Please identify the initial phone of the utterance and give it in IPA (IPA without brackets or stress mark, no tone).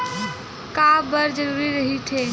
k